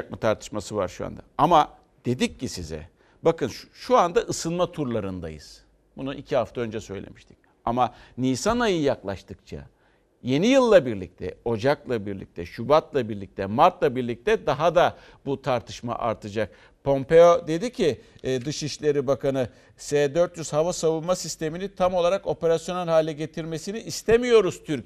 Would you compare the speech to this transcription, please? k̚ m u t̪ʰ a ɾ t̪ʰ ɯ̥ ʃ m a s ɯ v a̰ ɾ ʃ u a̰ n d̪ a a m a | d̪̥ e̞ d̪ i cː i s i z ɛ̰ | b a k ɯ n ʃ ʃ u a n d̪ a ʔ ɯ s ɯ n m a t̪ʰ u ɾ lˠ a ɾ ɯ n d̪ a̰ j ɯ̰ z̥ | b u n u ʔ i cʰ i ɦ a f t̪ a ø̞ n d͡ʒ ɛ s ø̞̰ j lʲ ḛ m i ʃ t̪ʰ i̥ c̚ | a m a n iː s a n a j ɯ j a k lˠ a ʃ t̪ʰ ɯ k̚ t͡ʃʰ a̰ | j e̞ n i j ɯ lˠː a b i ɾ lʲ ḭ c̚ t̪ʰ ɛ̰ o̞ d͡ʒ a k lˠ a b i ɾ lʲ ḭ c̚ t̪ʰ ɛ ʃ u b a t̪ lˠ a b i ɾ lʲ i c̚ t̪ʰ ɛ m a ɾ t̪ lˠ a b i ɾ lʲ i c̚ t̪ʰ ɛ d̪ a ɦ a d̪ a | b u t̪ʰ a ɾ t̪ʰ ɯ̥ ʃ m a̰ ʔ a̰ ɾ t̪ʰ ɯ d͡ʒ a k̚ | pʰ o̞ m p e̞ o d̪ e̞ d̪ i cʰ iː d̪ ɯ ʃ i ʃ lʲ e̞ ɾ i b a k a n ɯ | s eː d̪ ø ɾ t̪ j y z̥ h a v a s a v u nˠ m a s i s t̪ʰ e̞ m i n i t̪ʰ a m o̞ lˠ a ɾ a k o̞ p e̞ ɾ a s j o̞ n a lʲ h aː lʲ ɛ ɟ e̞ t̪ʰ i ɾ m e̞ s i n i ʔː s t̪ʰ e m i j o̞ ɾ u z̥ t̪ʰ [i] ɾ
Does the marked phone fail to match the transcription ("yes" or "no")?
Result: yes